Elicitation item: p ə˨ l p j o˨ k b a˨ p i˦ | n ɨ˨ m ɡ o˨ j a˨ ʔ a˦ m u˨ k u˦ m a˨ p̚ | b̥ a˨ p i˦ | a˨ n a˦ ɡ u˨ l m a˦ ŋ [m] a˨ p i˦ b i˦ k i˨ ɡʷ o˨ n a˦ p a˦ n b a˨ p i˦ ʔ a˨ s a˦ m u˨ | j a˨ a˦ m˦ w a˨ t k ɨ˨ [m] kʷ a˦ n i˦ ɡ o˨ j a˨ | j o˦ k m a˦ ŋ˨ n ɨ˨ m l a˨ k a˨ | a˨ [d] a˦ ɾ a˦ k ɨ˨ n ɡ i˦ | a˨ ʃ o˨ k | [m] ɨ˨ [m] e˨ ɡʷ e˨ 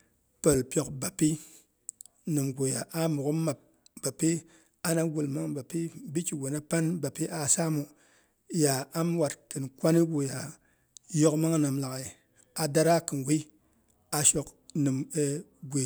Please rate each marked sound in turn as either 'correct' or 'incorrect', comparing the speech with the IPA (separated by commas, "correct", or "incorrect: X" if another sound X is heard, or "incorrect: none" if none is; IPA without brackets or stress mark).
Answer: incorrect: b, incorrect: n, correct, incorrect: n, correct